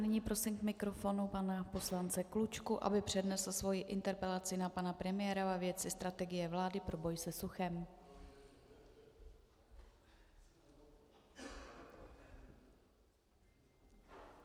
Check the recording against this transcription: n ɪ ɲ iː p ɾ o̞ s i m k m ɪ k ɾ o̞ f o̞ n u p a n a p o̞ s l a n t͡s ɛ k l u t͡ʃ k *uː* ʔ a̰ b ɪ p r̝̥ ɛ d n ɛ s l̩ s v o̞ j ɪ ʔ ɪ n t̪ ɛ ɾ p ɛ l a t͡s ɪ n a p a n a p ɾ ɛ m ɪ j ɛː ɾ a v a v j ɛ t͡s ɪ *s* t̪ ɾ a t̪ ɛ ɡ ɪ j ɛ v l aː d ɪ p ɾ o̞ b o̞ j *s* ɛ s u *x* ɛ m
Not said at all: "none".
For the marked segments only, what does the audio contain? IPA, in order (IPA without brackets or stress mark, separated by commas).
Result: u, s, s, x